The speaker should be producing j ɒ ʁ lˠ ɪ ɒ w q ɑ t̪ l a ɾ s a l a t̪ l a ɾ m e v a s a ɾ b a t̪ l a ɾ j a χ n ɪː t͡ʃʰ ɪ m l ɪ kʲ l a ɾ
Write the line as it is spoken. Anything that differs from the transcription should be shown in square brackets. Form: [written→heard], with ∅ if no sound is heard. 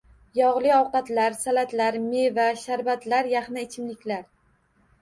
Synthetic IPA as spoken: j ɒ ʁ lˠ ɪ ɒ w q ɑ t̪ l a ɾ s a l a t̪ l a ɾ m e v a [s→ʃ] a ɾ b a t̪ l a ɾ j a χ n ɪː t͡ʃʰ ɪ m l ɪ kʲ l a ɾ